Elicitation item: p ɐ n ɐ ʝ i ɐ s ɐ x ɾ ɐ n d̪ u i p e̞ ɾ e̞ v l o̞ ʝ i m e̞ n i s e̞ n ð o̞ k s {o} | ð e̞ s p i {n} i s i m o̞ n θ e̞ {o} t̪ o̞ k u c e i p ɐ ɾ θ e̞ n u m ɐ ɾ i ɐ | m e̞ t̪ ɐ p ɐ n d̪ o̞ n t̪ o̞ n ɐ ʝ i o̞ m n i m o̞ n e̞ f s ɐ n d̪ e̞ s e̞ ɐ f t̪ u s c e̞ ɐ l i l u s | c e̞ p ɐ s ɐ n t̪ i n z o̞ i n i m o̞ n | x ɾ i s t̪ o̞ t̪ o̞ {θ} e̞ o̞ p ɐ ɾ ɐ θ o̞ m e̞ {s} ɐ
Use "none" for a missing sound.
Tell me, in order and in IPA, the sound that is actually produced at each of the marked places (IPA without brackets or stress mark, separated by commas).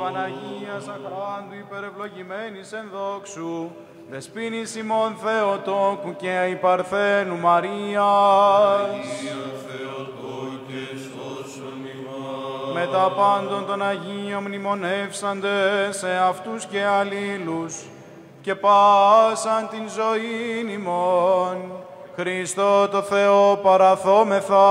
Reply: u, n, o, θ, θ